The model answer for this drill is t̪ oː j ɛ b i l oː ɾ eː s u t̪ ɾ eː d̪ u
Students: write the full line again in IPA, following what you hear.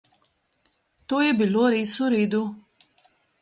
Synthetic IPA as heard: t̪ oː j ɛ b i l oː ɾ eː s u ɾ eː d̪ u